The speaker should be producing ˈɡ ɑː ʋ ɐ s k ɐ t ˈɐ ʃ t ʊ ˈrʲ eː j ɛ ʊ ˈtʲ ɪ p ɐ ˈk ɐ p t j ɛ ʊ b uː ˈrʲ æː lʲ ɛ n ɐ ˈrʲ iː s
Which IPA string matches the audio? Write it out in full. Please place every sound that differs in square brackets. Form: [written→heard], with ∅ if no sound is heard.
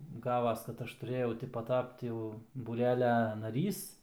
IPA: ˈɡ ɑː ʋ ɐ s k ɐ t ˈɐ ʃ t ʊ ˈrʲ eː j ɛ ʊ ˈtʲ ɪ p ɐ [ˈk→ˈt] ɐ p t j ɛ ʊ b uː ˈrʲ æː lʲ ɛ n ɐ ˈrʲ iː s